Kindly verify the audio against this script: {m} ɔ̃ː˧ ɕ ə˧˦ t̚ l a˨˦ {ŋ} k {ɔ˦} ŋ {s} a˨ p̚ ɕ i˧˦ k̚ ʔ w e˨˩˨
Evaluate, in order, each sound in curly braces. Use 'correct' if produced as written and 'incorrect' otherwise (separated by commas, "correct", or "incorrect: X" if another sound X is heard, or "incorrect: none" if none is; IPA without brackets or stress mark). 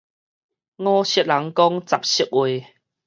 incorrect: ŋ, correct, correct, incorrect: t͡s